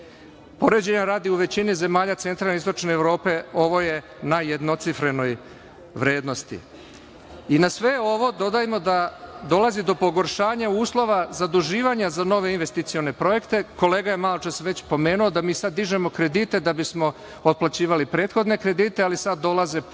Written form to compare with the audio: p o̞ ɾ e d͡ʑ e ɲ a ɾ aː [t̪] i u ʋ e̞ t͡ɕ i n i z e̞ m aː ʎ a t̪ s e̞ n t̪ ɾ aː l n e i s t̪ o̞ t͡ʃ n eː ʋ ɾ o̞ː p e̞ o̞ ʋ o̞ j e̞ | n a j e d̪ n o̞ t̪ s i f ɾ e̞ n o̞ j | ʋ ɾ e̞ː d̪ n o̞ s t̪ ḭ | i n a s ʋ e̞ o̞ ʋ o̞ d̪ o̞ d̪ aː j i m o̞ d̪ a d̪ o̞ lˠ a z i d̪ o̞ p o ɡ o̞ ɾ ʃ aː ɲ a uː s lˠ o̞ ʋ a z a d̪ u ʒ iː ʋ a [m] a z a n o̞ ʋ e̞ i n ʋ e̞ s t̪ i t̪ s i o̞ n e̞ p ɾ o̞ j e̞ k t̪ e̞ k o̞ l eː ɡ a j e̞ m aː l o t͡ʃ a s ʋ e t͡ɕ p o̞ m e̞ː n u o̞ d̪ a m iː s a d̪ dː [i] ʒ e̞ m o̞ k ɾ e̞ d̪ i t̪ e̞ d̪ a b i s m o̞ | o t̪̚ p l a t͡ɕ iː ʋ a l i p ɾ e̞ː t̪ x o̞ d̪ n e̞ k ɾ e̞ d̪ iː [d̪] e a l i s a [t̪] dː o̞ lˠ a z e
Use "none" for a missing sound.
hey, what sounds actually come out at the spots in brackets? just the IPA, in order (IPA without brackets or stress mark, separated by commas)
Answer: d̪, ɲ, i, t̪, d̪